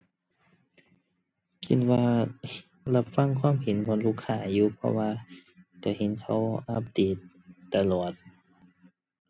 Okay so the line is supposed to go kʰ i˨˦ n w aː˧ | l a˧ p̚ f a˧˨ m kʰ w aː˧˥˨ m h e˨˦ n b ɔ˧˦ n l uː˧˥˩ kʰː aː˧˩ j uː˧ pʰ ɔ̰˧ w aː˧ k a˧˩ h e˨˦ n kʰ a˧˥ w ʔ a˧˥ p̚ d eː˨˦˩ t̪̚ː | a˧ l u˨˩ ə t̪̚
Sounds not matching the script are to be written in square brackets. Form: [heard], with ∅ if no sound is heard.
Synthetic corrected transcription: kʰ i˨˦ n w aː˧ | l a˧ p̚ f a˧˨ [ŋ] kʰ w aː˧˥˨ m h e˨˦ n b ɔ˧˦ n l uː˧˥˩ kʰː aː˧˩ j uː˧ pʰ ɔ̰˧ w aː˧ k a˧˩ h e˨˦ n kʰ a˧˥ w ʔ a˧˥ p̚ d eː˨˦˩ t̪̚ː | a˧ l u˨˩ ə t̪̚